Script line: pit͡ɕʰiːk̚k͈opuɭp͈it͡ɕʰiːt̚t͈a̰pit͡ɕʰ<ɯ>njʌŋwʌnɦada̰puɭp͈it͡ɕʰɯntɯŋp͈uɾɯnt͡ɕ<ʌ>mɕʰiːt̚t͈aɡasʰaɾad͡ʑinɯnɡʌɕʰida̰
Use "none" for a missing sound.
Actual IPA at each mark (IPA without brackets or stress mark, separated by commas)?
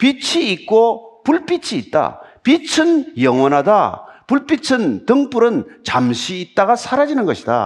ɯ, a